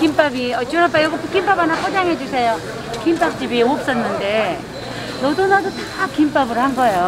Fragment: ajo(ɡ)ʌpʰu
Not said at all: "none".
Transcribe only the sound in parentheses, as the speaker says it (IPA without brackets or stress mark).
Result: ɡ